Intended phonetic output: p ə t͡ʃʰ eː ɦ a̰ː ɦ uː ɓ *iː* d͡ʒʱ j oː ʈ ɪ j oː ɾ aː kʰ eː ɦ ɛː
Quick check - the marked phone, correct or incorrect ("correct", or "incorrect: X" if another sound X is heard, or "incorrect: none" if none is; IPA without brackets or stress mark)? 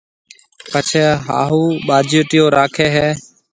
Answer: incorrect: aː